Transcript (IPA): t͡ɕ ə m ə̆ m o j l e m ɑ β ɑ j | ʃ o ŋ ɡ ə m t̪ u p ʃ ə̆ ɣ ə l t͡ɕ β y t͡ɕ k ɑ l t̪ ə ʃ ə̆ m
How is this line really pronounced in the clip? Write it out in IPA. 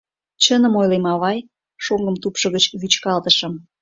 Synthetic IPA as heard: t͡ɕ ə n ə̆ m o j l e m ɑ β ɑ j | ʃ o ŋ ɡ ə m t̪ u p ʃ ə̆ ɣ ə t͡ɕ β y t͡ɕ k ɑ l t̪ ə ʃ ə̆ m